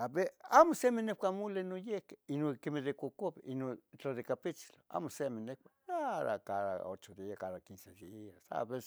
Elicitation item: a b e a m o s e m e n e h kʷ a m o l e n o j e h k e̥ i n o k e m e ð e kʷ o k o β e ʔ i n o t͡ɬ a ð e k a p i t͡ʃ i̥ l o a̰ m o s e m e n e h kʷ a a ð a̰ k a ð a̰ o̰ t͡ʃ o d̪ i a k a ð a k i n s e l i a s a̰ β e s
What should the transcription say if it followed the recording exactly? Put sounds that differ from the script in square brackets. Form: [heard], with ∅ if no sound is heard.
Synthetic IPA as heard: a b e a m o s e m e n e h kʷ a m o l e n o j e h k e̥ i n o k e m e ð e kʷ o k o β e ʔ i n o t͡ɬ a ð e k a p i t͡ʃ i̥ l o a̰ m o s e m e n e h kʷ a a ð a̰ k a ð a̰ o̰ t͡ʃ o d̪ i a k a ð a k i n s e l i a s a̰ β e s